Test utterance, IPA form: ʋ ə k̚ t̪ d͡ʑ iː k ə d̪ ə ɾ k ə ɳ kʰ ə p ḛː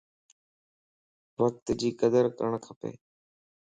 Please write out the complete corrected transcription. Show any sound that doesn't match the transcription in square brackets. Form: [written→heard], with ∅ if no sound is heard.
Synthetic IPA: ʋ ə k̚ t̪ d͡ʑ iː k ə d̪ ə ɾ k ə ɳ kʰ ə p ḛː